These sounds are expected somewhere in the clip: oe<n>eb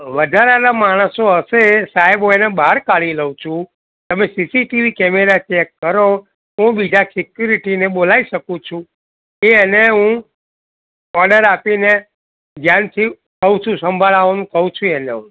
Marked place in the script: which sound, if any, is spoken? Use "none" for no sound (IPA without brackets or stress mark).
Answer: n